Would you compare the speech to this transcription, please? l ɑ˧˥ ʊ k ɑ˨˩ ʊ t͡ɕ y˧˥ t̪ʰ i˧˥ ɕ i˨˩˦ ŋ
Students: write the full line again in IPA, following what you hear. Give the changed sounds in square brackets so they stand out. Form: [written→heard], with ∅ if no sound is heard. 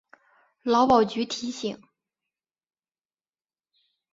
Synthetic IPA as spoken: l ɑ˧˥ ʊ [k→p] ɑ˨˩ ʊ t͡ɕ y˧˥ t̪ʰ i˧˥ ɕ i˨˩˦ ŋ